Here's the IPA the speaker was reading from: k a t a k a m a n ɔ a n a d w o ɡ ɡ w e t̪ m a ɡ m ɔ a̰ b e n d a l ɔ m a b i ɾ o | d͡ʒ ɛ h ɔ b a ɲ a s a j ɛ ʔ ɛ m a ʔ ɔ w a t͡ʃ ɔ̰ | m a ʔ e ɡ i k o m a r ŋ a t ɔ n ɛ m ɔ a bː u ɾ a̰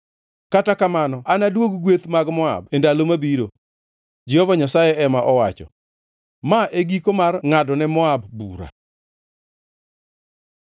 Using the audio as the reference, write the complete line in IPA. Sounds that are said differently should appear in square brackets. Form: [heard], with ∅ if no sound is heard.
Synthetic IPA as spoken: k a t a k a m a n ɔ a n a d w o ɡ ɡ w e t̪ m a ɡ m ɔ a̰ b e n d a l [o] m a b i ɾ o | d͡ʒ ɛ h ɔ [v] a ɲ a s a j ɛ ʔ ɛ m a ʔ ɔ w a t͡ʃ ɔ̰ | m a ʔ e ɡ i k o m a r ŋ a [d] ɔ n ɛ m ɔ a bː u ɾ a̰